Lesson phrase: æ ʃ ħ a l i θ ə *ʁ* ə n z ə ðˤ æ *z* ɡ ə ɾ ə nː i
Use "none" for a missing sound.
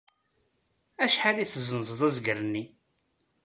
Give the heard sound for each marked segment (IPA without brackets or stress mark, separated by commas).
z, z